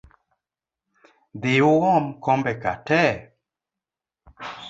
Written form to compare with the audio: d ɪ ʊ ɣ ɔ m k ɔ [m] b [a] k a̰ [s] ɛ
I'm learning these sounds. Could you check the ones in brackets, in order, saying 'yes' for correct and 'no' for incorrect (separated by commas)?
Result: yes, no, no